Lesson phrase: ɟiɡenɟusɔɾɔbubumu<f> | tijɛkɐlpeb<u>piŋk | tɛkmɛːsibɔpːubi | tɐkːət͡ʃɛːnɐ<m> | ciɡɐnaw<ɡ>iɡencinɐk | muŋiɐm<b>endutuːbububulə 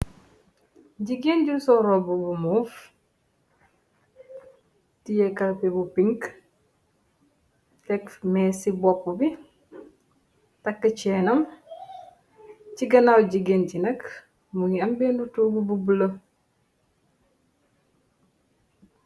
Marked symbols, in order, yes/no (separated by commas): yes, yes, yes, no, yes